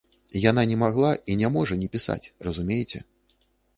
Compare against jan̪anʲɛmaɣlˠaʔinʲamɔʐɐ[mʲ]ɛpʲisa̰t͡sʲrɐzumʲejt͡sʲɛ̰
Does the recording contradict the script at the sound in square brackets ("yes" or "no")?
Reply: yes